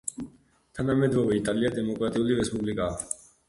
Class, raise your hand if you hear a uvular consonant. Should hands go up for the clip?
no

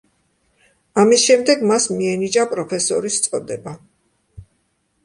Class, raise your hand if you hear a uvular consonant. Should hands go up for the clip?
no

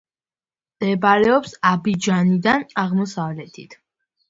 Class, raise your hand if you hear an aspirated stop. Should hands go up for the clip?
yes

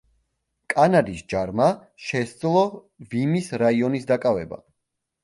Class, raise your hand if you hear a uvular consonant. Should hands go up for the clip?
no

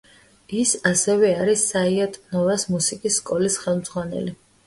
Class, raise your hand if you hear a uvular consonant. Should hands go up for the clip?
yes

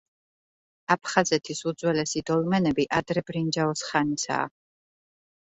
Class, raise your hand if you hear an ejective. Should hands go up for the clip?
no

